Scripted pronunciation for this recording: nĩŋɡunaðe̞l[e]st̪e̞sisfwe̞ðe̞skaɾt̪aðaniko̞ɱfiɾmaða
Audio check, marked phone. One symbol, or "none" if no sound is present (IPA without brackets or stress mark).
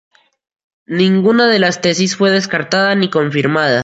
a